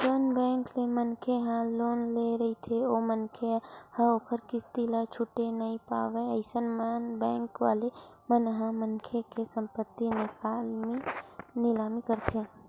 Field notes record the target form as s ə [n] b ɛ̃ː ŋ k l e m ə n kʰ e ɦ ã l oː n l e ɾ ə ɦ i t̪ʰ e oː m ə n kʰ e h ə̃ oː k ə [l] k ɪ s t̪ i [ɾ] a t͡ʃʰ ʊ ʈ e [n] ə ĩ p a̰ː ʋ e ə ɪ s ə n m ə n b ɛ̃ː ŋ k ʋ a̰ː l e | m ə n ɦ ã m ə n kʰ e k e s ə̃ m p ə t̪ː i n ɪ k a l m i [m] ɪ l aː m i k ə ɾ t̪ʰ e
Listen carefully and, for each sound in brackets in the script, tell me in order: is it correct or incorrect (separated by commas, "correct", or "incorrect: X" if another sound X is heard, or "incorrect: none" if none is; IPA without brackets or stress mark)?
correct, incorrect: ɾ, incorrect: l, correct, incorrect: n